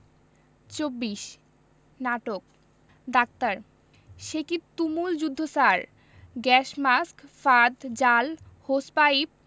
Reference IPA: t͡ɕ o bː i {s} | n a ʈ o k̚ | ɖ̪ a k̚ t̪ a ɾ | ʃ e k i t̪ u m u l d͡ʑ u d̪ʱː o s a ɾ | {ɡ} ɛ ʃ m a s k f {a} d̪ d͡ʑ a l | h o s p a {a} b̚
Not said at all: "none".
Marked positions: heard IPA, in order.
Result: ʃ, ɡ, a, i

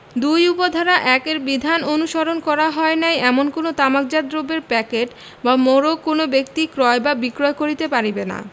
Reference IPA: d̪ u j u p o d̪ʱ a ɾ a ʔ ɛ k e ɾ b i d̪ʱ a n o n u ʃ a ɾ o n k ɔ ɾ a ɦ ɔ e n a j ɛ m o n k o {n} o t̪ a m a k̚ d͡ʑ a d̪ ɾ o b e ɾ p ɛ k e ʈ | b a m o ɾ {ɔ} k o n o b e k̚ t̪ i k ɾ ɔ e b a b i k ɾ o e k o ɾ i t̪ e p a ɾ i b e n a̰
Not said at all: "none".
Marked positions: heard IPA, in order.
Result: n, o

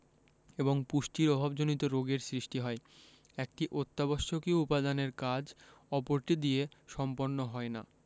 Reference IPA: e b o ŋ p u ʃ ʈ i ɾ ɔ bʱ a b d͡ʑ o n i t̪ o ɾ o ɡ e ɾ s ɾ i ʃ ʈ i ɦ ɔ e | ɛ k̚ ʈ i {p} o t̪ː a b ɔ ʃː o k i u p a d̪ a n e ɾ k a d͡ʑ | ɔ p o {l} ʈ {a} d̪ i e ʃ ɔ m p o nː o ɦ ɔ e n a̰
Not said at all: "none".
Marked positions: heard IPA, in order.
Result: ʔ, ɾ, i

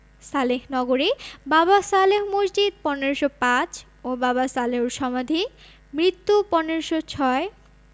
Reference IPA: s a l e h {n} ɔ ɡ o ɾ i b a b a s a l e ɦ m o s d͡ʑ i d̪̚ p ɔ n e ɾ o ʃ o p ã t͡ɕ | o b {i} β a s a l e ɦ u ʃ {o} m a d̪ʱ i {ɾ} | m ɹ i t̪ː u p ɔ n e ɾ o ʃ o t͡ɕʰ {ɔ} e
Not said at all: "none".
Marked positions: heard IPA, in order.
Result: n, a, ɔ, none, ɔ

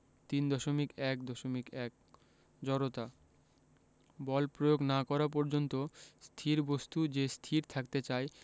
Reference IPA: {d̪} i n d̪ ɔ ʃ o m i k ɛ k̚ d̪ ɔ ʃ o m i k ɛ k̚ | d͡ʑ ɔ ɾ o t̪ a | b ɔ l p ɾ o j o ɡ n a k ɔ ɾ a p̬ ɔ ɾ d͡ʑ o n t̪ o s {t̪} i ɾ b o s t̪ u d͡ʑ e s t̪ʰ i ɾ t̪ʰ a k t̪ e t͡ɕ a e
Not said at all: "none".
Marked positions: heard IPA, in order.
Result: t̪, t̪ʰ

